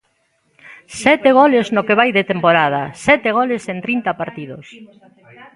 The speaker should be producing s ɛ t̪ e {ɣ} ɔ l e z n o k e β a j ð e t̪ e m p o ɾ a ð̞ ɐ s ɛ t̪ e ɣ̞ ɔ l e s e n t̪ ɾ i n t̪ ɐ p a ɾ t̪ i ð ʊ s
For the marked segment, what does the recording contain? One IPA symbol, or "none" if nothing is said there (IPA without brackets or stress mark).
ɣ